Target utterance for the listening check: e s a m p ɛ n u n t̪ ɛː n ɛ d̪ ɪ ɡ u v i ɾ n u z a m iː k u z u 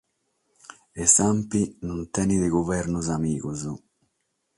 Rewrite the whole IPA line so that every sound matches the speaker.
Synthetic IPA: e s a m p i n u n t̪ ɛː n i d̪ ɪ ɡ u v ɛ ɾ n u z a m iː k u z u